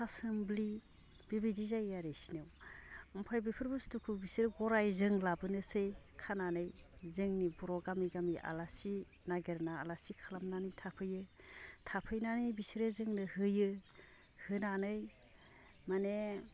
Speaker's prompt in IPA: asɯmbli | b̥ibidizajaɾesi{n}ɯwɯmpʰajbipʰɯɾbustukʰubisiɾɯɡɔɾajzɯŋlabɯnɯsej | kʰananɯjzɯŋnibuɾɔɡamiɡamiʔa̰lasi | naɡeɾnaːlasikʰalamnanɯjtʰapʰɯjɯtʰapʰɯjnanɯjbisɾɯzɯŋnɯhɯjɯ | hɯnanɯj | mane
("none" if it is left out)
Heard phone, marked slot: n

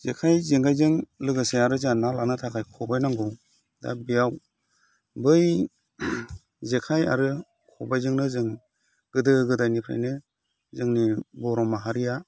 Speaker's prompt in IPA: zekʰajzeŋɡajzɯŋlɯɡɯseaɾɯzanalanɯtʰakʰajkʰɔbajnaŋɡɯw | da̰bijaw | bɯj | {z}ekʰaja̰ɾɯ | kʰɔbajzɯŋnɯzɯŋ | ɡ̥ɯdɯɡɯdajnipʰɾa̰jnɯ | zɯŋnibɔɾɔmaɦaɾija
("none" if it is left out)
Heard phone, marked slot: z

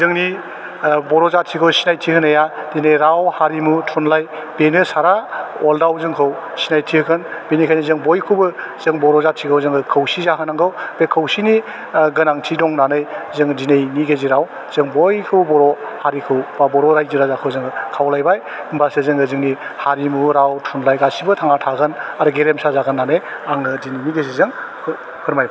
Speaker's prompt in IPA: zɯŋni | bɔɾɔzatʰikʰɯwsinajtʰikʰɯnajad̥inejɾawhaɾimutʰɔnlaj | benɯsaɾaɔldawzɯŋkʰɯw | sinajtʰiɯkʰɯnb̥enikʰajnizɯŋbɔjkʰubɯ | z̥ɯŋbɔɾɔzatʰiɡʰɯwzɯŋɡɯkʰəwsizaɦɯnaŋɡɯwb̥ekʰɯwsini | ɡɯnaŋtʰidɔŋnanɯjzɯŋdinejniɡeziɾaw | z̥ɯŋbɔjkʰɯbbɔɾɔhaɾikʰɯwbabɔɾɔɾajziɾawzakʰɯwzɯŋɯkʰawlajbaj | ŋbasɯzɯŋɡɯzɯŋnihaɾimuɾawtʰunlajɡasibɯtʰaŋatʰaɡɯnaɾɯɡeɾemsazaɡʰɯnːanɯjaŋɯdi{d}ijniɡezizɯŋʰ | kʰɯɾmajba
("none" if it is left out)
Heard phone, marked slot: n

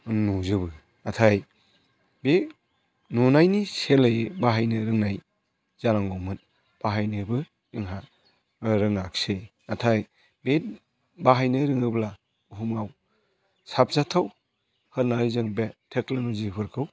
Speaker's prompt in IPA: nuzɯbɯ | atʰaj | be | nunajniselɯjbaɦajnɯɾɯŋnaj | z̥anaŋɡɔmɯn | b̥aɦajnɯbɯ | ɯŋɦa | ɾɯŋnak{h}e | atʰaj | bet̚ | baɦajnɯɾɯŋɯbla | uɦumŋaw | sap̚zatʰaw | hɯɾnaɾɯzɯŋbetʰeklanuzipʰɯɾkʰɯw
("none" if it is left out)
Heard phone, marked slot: s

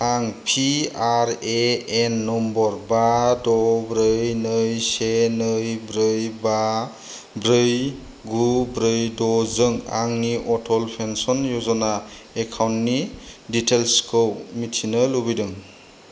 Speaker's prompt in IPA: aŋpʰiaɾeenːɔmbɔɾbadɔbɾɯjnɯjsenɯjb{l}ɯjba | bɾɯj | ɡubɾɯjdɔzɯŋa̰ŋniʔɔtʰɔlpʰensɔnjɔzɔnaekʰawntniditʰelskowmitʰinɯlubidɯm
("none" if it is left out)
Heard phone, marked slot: ɾ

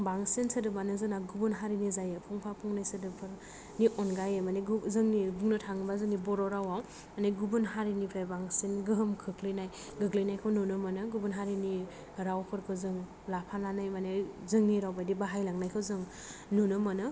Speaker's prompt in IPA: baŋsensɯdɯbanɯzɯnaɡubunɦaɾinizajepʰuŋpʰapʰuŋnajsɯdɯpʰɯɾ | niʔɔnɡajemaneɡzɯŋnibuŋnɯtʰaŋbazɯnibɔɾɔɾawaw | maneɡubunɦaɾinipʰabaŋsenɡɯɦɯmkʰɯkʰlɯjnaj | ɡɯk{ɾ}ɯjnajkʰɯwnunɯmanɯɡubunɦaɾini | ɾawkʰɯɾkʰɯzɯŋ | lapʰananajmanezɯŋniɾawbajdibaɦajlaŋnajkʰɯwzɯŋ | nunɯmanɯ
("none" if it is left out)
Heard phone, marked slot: l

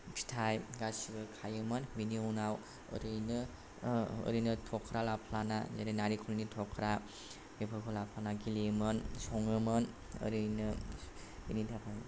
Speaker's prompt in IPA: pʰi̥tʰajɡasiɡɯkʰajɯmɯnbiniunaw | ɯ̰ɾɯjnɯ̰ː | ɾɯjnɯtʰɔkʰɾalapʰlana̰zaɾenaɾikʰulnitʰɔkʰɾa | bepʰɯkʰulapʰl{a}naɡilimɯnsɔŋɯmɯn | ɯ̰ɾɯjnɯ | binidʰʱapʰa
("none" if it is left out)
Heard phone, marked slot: a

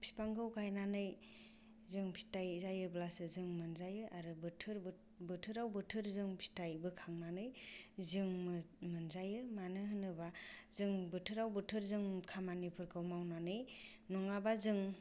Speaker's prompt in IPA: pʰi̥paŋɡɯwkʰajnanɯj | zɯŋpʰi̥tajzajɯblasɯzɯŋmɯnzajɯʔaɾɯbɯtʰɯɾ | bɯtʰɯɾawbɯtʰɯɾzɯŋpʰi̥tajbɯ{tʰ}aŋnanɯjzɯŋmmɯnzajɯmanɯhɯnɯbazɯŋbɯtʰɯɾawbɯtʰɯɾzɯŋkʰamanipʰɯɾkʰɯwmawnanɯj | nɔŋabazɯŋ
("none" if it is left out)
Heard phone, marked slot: kʰ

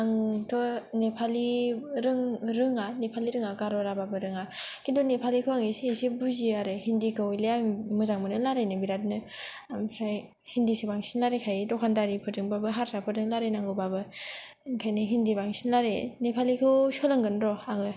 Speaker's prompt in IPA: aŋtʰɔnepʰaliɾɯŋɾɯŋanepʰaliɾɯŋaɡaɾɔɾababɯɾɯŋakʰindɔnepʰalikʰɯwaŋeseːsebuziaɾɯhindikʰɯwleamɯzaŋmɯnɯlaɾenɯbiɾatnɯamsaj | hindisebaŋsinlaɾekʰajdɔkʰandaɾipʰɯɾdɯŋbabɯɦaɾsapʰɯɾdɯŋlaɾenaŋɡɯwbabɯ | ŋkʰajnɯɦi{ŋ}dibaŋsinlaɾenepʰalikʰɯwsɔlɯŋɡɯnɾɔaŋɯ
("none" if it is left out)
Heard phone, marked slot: n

